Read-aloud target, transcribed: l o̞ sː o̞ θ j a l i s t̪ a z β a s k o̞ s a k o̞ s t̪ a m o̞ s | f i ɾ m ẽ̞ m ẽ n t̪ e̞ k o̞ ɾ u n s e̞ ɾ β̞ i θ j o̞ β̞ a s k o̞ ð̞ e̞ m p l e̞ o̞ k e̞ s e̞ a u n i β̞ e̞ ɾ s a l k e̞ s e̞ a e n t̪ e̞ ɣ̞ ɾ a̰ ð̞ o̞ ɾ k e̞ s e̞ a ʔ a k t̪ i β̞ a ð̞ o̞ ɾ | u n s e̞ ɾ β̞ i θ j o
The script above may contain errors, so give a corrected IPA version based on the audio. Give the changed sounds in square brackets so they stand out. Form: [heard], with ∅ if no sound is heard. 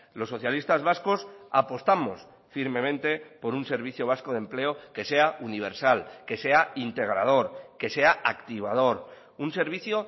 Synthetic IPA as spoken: l o̞ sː o̞ θ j a l i s t̪ a z β a s k o̞ s a [p] o̞ s t̪ a m o̞ s | f i ɾ m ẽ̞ m ẽ n t̪ e̞ [p] o̞ ɾ u n s e̞ ɾ β̞ i θ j o̞ β̞ a s k o̞ ð̞ e̞ m p l e̞ o̞ k e̞ s e̞ a u n i β̞ e̞ ɾ s a l k e̞ s e̞ a [i] n t̪ e̞ ɣ̞ ɾ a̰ ð̞ o̞ ɾ k e̞ s e̞ a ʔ a k t̪ i β̞ a ð̞ o̞ ɾ | u n s e̞ ɾ β̞ i θ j o